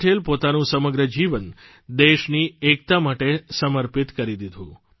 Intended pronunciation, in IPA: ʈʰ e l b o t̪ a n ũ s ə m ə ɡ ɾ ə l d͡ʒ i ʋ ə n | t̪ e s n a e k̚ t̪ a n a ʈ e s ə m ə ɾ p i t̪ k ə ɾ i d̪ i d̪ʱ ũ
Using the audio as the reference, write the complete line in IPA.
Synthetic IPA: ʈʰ e l p o t̪ a n ũ s ə m ə ɡ ɾ ə d͡ʒ i ʋ ə n | d̪ e ʃ n i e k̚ t̪ a m a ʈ e s ə m ə ɾ p i t̪ k ə ɾ i d̪ i d̪ʱ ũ